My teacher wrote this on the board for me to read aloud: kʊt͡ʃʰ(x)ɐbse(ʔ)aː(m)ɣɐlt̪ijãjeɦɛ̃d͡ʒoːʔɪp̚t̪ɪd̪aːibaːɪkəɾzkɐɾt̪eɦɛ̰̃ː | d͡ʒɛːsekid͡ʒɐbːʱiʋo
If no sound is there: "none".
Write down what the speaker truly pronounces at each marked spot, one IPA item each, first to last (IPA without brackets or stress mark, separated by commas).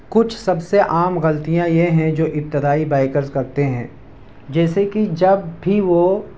s, ʔ, m